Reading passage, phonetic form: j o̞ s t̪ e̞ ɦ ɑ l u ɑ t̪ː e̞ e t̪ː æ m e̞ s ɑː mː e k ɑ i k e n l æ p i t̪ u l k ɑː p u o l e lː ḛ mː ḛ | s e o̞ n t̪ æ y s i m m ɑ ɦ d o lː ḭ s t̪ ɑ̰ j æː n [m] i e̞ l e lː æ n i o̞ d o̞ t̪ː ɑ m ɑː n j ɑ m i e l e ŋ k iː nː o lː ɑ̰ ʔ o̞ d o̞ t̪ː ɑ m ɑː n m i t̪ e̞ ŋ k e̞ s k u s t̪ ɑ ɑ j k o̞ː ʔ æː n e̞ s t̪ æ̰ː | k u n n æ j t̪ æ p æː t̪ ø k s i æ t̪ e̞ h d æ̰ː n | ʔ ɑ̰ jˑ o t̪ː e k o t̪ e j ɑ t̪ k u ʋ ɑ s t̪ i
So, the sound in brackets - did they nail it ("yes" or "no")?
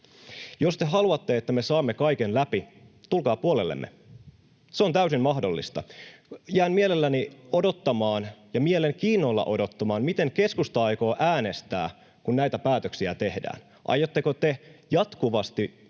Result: yes